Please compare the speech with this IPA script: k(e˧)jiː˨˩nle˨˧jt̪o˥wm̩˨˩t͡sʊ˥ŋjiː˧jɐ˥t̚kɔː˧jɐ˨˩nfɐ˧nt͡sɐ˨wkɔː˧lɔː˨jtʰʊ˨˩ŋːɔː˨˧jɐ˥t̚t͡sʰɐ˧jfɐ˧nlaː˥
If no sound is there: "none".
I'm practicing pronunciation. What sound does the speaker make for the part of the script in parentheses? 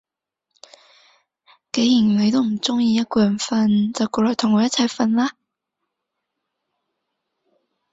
e˨˥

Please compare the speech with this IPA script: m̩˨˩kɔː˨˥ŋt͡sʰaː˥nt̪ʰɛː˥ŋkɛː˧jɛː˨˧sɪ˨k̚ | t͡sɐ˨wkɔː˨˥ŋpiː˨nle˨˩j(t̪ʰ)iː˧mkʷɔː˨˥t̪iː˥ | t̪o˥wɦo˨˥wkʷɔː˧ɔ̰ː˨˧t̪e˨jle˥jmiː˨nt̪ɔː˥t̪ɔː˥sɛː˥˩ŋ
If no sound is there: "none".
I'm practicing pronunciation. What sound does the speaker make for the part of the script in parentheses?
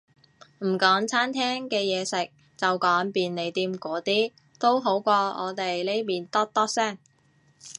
t̪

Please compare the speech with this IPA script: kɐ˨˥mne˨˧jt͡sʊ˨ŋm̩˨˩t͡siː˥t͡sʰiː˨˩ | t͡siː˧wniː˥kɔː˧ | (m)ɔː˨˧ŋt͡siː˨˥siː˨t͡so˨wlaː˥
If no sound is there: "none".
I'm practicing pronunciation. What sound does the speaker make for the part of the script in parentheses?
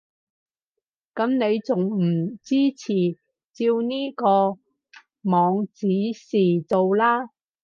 m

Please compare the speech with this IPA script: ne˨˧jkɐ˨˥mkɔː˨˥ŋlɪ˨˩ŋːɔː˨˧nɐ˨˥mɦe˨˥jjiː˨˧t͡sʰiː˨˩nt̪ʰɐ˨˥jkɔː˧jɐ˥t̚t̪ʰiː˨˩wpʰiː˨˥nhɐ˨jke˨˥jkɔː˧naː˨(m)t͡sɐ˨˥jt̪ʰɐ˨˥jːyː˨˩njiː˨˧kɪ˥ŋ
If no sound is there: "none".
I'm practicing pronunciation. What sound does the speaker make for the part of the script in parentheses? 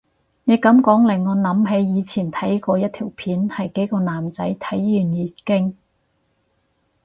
m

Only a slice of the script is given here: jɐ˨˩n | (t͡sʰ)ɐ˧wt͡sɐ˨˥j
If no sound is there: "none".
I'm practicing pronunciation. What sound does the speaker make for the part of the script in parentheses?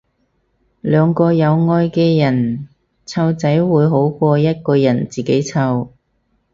t͡sʰ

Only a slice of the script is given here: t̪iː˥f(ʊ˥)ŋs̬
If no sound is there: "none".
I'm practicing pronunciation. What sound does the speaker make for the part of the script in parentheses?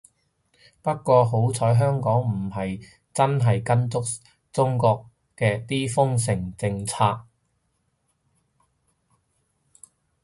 ʊ˥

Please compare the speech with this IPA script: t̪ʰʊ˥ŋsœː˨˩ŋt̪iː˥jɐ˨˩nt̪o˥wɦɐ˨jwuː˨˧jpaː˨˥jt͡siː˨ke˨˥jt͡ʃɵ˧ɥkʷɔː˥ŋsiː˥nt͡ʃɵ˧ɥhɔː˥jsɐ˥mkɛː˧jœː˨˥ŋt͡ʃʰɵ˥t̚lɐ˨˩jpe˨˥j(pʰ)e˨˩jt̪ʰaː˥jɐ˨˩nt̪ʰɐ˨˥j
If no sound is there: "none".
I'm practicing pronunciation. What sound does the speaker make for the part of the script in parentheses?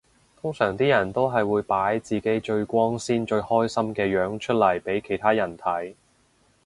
kʰ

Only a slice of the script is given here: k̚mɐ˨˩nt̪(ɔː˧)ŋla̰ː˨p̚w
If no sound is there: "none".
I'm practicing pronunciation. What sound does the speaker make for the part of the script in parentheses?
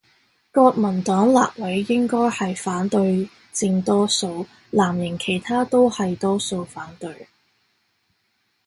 ɔː˨˥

